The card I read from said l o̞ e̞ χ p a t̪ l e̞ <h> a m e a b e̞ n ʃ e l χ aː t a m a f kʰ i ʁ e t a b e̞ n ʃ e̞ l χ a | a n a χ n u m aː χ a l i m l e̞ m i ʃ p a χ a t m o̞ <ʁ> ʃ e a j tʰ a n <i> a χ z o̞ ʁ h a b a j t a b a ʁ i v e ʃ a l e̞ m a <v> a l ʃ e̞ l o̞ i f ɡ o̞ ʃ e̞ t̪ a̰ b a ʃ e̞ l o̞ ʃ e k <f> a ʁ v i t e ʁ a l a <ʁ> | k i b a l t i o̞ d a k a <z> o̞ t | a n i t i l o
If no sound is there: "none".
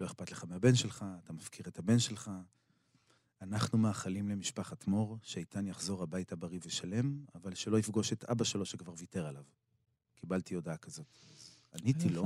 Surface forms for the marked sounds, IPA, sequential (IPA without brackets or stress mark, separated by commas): χ, ʁ, j, v, v, v, z